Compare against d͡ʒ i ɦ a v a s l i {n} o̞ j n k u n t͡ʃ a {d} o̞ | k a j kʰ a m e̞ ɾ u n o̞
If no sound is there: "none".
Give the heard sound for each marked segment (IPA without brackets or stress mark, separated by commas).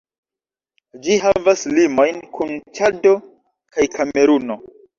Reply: m, d